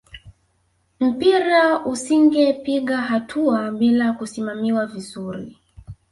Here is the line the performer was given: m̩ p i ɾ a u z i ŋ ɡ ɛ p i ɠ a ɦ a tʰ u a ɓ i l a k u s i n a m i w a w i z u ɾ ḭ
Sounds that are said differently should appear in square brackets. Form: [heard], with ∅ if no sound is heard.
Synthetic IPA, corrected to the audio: m̩ p i ɾ a u [s] i ŋ ɡ ɛ p i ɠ a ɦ a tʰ u a ɓ i l a k u s i [m] a m i w a [v] i z u ɾ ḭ